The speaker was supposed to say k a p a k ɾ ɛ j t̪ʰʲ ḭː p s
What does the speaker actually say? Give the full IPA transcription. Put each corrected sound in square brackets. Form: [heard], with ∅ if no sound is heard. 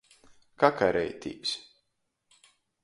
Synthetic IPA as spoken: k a [k] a [∅] ɾ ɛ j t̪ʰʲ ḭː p s